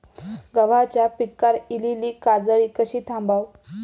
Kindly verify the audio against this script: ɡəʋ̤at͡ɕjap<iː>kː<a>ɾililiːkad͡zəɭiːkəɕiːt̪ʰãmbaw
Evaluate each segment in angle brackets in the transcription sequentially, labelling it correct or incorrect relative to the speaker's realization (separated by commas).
incorrect, correct